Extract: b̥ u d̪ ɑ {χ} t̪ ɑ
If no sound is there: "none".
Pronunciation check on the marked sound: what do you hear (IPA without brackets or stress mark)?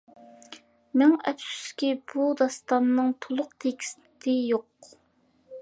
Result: s